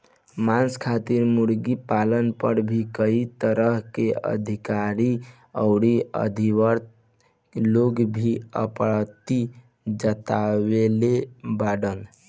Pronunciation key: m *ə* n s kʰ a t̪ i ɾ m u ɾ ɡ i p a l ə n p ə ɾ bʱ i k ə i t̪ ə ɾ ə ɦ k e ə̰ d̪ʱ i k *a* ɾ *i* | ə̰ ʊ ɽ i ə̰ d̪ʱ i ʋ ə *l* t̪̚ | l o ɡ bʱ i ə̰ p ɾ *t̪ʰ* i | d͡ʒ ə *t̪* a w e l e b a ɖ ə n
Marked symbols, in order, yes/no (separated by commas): no, yes, yes, no, no, yes